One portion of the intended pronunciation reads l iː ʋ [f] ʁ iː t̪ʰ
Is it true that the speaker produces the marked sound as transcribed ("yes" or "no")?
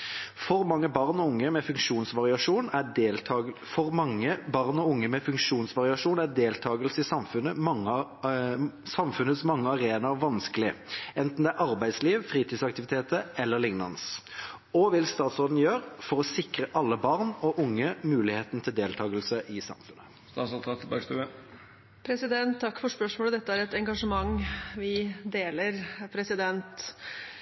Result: yes